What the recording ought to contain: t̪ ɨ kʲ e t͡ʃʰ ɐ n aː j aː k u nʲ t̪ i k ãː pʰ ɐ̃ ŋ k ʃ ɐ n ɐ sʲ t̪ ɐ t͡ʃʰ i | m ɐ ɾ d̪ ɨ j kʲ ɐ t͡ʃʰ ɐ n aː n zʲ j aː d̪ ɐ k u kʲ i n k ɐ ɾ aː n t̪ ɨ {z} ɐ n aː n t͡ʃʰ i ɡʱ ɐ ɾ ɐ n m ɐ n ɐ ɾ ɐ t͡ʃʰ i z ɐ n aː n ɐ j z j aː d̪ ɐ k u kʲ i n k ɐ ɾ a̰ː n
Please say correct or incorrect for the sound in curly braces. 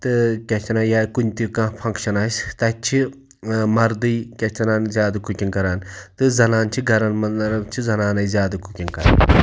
correct